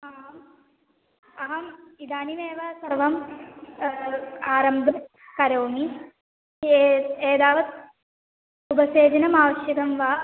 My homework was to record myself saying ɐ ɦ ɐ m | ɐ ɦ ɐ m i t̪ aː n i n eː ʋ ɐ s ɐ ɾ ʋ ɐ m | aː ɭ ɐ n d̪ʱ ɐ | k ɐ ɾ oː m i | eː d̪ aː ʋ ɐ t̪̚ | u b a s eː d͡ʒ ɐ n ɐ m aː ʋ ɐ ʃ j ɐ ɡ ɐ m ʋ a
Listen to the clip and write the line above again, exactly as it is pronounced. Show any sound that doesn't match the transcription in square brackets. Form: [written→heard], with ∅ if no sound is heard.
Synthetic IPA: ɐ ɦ ɐ m | ɐ ɦ ɐ m i [t̪→d̪] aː n i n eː ʋ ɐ s ɐ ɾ ʋ ɐ m | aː [ɭ→ɾ] ɐ [n→m] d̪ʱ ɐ | k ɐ ɾ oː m i | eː d̪ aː ʋ ɐ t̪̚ | u b [a→ɐ] s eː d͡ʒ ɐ n ɐ m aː ʋ ɐ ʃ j ɐ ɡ ɐ m ʋ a